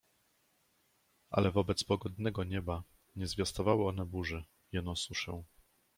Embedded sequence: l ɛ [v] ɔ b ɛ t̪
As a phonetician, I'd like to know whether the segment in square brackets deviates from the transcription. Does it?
no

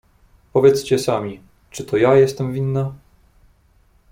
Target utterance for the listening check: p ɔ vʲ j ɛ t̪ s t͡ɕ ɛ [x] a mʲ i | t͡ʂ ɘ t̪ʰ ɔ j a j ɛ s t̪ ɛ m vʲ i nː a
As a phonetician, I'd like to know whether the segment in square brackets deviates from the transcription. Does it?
yes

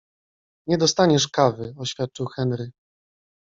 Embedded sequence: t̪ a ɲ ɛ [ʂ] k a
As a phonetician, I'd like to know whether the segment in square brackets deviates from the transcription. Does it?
no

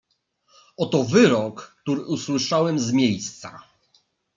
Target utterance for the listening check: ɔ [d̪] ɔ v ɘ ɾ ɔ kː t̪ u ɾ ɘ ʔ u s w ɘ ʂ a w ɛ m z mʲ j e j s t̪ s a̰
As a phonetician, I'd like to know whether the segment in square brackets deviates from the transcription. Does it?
yes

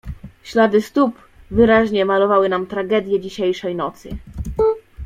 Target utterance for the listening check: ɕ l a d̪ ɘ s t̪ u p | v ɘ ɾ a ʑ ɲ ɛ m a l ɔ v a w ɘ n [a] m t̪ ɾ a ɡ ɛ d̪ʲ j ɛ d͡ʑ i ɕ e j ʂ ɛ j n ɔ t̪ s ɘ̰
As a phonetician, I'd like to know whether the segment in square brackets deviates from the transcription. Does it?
no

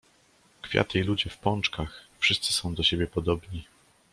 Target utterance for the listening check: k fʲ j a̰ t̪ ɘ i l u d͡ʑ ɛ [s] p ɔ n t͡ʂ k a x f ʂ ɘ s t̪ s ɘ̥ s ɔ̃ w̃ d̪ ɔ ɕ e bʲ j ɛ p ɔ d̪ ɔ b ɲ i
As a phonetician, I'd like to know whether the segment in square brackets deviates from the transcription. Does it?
yes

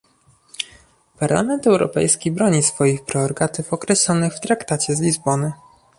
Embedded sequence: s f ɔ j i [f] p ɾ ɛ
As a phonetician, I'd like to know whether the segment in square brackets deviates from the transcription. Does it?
yes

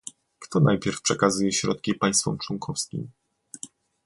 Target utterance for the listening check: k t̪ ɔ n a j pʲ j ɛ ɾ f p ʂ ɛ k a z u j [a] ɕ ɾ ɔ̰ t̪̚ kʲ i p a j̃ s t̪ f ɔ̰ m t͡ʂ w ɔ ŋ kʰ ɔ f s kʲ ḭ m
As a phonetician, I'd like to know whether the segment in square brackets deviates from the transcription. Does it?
yes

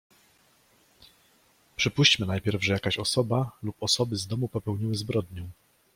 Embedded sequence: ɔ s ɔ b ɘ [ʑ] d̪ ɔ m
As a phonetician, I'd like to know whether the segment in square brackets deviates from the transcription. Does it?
yes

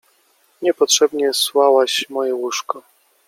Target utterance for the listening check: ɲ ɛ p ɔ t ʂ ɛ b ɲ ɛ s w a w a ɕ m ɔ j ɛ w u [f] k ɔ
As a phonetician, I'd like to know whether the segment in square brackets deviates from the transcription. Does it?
yes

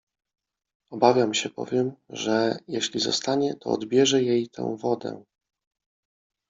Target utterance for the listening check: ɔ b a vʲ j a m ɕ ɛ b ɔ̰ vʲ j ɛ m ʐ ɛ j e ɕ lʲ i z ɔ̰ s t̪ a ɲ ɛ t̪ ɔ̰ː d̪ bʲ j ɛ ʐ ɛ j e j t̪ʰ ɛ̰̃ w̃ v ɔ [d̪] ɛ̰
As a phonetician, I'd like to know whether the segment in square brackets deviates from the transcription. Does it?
no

